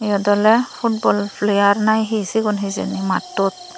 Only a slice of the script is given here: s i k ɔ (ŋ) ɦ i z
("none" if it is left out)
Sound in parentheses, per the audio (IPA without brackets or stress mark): n